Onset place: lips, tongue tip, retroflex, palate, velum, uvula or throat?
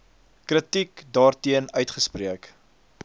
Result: velum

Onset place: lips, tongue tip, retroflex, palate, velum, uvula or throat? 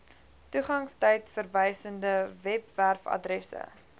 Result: tongue tip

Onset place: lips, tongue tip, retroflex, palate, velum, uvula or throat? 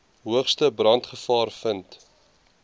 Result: throat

